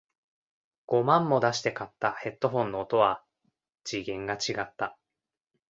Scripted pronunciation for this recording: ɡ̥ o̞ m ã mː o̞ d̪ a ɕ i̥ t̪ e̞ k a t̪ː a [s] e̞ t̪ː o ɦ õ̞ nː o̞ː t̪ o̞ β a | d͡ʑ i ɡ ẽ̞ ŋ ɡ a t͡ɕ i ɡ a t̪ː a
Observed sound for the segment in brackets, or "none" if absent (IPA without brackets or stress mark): h